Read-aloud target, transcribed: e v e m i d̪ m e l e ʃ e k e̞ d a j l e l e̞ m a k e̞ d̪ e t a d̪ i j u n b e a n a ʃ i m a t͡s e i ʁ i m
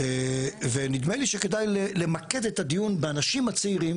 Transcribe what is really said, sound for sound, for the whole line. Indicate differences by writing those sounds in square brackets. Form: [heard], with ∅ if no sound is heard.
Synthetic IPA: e v e [n] i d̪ m e l [i] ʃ e k e̞ d a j l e l e̞ m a k e̞ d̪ e t a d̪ i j u n b e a n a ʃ i m a t͡s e i ʁ i m